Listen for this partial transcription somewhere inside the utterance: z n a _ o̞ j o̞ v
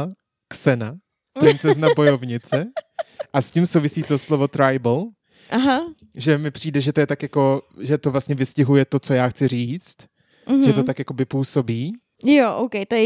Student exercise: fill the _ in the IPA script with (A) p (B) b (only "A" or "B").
B